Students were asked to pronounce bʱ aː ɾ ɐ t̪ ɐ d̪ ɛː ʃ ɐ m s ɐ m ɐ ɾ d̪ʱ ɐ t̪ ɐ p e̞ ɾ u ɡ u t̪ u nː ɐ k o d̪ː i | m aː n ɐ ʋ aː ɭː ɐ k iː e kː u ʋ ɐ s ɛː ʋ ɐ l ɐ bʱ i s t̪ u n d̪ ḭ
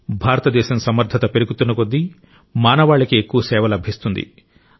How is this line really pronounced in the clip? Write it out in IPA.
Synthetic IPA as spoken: bʱ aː ɾ ɐ t̪ ɐ d̪ ɛː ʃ ɐ m s ɐ m ɐ ɾ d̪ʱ ɐ t̪ ɐ p e̞ ɾ u ɡ u t̪ u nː ɐ k o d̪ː i | m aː n ɐ ʋ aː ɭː ɐ k i e kː u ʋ ɐ s ɛː ʋ ɐ l ɐ bʱ i s t̪ u n d̪ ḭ